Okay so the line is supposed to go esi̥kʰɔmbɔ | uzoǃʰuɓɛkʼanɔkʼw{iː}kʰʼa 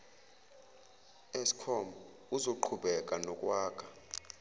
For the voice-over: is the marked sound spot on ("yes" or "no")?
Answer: no